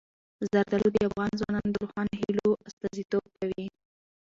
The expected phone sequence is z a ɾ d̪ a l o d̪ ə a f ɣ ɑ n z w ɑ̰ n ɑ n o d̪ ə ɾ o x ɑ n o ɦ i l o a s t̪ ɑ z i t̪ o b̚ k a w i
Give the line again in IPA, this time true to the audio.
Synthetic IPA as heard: z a ɾ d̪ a l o d̪ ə a f ɣ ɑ n z w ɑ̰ n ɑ n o d̪ ə ɾ o x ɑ n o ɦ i l o a s t̪ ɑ z i t̪ o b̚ k a w i